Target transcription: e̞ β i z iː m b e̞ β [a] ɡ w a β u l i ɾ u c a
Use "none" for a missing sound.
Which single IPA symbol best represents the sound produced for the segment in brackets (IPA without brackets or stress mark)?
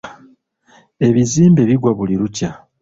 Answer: i